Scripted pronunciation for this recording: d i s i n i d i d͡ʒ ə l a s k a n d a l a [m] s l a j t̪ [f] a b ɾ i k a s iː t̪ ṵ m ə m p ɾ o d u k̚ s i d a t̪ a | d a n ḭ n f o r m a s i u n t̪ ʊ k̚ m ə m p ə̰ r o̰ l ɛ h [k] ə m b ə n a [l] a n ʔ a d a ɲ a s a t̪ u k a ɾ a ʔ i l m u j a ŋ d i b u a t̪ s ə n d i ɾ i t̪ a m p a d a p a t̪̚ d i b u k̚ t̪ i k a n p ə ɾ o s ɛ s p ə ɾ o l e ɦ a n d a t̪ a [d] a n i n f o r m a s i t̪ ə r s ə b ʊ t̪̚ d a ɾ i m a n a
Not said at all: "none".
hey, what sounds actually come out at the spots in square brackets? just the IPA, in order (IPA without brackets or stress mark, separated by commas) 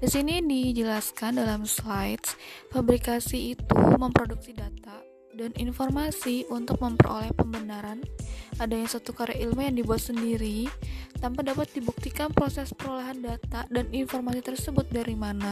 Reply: m, f, p, ɾ, d